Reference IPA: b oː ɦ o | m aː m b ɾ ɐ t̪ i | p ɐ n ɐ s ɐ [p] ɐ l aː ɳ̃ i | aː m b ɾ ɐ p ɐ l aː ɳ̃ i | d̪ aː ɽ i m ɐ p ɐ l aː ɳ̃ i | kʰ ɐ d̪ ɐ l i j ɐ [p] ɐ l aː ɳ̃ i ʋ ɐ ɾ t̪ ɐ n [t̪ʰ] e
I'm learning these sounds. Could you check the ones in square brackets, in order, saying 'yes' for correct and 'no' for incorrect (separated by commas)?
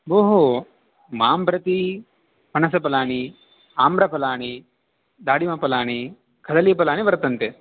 yes, yes, no